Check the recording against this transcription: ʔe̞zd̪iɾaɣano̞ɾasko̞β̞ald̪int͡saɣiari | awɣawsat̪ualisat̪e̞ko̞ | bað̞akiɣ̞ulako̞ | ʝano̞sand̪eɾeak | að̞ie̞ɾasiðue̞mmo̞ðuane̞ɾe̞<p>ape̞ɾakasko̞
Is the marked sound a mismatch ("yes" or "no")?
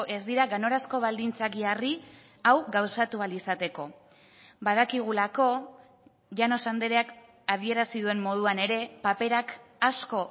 no